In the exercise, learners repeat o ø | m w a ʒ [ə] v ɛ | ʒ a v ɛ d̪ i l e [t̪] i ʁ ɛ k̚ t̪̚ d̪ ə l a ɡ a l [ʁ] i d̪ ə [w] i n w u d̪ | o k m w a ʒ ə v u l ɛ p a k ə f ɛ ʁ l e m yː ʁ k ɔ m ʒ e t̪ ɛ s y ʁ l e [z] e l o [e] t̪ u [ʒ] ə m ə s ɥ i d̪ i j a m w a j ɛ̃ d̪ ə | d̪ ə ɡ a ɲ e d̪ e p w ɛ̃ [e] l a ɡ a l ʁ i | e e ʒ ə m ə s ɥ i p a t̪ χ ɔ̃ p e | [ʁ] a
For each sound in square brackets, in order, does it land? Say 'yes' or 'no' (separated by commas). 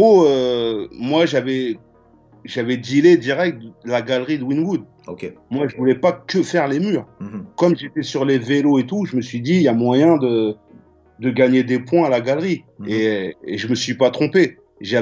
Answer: no, no, yes, yes, no, yes, yes, no, no